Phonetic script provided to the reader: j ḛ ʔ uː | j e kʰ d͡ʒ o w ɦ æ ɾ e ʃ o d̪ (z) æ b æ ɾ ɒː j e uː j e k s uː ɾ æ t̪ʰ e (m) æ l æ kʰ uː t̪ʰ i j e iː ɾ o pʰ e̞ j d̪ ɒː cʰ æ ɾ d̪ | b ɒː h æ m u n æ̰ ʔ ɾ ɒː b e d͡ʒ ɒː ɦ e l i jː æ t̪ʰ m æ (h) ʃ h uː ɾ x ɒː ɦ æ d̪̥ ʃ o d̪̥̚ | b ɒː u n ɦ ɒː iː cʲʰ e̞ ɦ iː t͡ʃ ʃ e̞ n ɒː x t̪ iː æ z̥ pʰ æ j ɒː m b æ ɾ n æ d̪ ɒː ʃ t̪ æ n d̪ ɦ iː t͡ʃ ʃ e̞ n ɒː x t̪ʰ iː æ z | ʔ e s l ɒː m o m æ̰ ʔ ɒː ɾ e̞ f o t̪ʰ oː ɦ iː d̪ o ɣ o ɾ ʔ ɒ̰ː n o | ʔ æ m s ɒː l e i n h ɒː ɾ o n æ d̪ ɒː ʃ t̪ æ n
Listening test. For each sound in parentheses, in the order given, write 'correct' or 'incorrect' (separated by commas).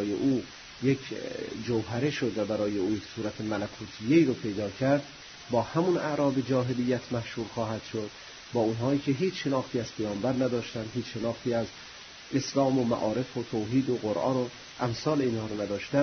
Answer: incorrect, correct, correct